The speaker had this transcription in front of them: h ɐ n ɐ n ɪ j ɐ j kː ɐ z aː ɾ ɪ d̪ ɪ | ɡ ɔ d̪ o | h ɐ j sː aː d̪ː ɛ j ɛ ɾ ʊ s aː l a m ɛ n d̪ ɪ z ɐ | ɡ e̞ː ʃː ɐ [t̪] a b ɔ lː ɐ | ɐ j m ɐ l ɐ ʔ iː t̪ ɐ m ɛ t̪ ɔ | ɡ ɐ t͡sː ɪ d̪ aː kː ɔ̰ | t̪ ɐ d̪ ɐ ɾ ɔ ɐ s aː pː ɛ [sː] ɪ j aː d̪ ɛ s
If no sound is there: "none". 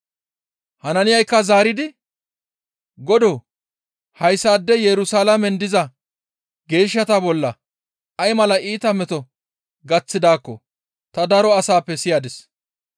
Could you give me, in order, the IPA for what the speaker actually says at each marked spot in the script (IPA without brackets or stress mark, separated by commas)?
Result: t̪, s